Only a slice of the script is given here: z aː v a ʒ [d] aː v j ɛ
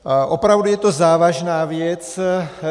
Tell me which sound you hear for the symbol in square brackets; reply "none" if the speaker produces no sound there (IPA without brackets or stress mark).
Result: n